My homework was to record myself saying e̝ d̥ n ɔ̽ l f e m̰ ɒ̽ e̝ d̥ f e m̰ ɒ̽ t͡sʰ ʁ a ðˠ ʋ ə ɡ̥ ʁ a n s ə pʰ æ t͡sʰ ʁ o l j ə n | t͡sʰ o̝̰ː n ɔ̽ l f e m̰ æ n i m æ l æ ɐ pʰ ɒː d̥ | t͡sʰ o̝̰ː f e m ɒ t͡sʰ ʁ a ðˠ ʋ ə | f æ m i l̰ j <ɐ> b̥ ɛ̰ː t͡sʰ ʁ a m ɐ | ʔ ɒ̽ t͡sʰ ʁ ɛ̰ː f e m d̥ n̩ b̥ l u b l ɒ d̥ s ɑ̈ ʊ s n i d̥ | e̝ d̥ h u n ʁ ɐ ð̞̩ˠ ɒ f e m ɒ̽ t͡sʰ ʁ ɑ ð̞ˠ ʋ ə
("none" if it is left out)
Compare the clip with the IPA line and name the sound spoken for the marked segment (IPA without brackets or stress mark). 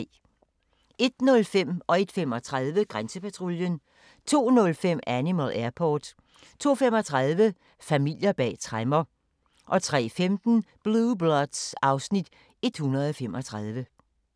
ɐ